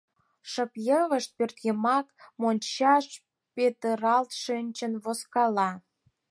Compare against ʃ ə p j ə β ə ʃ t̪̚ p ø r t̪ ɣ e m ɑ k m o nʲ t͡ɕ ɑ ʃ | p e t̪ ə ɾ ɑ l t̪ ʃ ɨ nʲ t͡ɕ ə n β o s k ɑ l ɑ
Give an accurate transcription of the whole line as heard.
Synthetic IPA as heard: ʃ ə p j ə β ə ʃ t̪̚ p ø r t̪ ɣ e m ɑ k m o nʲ t͡ɕ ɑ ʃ | p e t̪ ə ɾ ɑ l t̪ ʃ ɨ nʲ t͡ɕ ə n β o s k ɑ l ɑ